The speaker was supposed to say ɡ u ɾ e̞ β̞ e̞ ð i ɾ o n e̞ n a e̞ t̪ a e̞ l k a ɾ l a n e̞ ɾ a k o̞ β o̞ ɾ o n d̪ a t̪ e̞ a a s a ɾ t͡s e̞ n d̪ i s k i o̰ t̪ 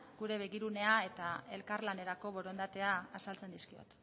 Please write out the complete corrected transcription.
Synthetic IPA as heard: ɡ u ɾ e̞ β̞ e̞ ɣ i ɾ u n e̞ a e̞ t̪ a e̞ l k a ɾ l a n e̞ ɾ a k o̞ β o̞ ɾ o n d̪ a t̪ e̞ a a s a l t͡s e̞ n d̪ i s k i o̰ t̪